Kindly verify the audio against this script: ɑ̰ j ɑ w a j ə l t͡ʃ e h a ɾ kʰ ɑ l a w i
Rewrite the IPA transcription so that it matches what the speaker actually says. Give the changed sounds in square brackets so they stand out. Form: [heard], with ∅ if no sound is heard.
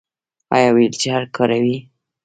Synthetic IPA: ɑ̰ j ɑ w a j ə l t͡ʃ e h a ɾ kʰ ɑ [ɾ] a w i